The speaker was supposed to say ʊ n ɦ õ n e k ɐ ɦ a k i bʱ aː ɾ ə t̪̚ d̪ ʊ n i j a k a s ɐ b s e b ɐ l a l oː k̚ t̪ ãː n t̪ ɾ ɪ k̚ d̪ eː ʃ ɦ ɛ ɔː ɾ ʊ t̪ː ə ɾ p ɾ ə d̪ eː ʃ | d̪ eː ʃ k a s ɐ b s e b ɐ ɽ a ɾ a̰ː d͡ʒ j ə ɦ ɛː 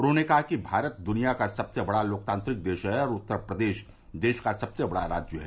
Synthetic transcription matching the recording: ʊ n ɦ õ n e k ɐ ɦ a k i bʱ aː ɾ ə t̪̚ d̪ ʊ n i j a k a s ɐ b s e b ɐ ɽ a l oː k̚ t̪ ãː n t̪ ɾ ɪ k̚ d̪ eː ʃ ɦ ɛ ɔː ɾ ʊ t̪ː ə ɾ p ɾ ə d̪ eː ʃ | d̪ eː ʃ k a s ɐ b s e b ɐ ɽ a ɾ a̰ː d͡ʒ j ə ɦ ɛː